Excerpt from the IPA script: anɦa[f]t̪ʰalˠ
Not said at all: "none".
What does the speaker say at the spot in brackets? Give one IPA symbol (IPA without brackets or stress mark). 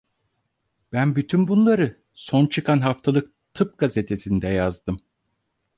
f